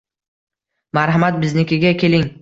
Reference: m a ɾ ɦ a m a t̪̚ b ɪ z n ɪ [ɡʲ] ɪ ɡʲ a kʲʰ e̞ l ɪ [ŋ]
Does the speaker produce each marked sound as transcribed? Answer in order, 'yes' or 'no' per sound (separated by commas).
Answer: no, yes